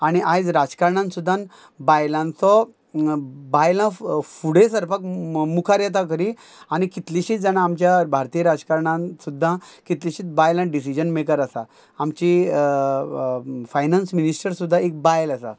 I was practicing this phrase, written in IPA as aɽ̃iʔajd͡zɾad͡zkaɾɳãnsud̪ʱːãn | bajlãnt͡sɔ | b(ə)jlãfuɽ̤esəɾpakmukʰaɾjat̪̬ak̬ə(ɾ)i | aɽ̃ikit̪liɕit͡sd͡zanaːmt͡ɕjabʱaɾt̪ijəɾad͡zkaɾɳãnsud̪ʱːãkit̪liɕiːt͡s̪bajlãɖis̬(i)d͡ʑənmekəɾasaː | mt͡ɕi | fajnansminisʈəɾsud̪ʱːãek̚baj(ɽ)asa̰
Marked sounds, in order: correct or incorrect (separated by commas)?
incorrect, correct, correct, incorrect